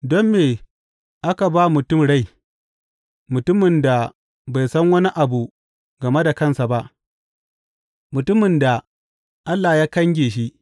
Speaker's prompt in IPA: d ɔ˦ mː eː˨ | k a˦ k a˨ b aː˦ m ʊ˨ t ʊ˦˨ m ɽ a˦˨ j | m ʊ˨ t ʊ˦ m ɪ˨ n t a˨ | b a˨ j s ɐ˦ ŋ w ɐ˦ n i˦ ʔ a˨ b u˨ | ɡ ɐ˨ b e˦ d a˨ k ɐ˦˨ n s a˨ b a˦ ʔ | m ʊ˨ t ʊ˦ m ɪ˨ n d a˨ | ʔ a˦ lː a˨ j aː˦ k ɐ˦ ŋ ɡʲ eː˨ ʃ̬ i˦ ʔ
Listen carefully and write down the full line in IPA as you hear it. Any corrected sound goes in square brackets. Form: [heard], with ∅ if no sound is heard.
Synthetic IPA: d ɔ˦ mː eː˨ | [ʔ] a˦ k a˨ b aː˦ m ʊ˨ t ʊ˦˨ m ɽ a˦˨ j | m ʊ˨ t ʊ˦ m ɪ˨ n [d] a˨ | b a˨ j s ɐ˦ ŋ w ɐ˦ n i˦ ʔ a˨ b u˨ | ɡ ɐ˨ [m] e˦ d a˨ k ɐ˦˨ n s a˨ b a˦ ʔ | m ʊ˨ t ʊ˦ m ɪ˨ n d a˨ | ʔ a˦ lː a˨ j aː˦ k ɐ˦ ŋ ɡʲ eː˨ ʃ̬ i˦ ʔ